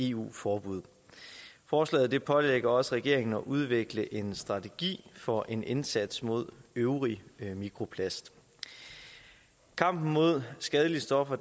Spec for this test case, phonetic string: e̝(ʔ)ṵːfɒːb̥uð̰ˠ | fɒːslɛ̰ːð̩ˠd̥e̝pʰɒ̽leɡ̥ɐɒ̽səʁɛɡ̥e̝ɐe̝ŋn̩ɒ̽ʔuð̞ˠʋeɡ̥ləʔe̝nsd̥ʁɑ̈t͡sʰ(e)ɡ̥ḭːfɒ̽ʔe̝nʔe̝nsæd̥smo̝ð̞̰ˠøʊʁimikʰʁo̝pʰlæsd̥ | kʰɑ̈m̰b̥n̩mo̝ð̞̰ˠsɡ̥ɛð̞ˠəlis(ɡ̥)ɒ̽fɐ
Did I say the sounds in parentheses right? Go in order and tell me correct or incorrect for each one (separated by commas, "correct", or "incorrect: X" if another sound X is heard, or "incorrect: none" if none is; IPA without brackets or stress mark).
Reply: incorrect: none, correct, incorrect: d̥